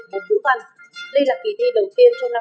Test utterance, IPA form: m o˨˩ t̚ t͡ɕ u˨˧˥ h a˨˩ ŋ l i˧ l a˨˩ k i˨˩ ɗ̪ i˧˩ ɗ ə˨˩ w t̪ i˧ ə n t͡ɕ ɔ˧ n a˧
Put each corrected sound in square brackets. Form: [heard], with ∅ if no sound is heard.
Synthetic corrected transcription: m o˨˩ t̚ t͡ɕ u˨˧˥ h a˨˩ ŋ l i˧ l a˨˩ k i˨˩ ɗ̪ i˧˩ ɗ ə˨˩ w t̪ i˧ ə n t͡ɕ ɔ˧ n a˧